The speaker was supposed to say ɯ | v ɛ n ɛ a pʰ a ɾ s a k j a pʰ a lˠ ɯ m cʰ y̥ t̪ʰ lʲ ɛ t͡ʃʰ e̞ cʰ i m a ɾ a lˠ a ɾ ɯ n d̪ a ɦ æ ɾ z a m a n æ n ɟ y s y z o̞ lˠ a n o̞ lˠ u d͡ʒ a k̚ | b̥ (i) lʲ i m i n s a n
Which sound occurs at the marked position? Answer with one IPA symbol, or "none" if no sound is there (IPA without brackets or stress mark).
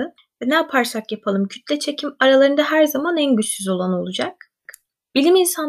i